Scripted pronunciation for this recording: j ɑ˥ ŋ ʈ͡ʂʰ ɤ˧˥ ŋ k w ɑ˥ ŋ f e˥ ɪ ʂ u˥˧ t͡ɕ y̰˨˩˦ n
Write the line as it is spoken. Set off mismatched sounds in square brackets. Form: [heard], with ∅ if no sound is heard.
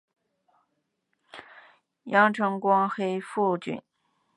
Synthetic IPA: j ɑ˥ ŋ ʈ͡ʂʰ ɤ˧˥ ŋ k w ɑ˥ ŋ [x] e˥ ɪ [f] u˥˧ t͡ɕ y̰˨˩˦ n